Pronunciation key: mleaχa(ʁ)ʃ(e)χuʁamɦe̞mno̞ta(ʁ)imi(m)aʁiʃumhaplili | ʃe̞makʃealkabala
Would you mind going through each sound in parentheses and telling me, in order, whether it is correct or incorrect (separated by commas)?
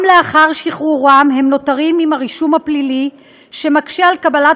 correct, incorrect, correct, correct